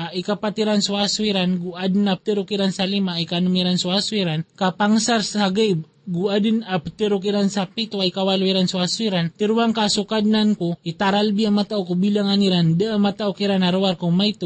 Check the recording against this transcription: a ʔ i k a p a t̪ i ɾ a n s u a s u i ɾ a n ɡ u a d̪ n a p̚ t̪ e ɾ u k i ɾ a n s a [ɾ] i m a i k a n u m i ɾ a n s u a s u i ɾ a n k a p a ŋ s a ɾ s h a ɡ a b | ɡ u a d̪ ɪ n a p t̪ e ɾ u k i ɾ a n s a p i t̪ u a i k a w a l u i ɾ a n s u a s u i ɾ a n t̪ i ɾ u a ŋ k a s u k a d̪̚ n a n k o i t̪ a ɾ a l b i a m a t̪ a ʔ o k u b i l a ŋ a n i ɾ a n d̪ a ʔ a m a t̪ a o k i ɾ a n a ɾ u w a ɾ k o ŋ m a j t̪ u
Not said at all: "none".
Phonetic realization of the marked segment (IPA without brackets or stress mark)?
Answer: l